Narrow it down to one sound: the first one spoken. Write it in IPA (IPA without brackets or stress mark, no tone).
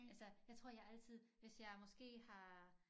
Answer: æ